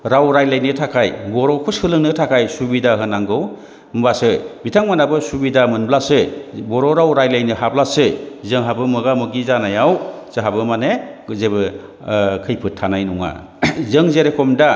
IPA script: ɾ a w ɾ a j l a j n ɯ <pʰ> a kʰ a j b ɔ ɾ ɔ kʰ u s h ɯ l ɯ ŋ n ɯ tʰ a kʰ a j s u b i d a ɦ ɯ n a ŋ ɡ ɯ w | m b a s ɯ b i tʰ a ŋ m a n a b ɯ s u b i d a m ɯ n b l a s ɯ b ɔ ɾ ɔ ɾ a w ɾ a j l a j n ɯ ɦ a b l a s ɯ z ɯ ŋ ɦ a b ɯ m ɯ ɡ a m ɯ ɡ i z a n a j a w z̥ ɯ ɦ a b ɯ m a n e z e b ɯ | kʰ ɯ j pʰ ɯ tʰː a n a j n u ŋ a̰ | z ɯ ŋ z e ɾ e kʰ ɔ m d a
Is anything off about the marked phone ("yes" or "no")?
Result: yes